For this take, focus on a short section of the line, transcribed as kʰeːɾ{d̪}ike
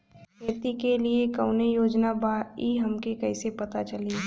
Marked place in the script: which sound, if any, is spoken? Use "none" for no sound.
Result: t̪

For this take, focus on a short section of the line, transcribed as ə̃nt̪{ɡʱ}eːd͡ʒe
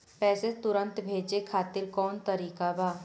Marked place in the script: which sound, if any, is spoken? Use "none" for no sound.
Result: bʱ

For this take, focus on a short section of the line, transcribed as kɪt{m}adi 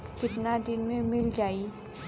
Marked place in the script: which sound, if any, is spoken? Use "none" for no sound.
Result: n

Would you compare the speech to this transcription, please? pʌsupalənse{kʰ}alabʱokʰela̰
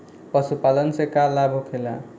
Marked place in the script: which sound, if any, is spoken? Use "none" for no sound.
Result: k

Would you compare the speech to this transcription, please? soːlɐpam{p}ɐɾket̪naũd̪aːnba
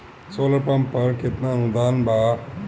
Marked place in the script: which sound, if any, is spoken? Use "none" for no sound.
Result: p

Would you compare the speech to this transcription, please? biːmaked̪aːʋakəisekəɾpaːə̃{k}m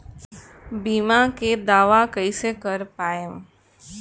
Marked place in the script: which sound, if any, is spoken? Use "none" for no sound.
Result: none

